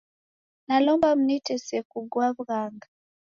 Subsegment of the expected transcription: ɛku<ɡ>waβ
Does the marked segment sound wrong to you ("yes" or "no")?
no